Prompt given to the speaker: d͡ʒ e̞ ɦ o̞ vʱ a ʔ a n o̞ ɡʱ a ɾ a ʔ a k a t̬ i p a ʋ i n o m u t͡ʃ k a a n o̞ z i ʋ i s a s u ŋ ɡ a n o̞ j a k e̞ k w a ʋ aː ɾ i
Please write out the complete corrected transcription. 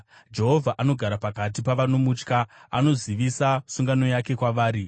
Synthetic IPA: d͡ʒ e̞ ɦ o̞ vʱ a ʔ a n o̞ ɡʱ a ɾ a p a k a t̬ i p a ʋ a n o m u t͡ʃ k a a n o̞ z i ʋ i s a s u ŋ ɡ a n o̞ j a k e̞ k w a ʋ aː ɾ i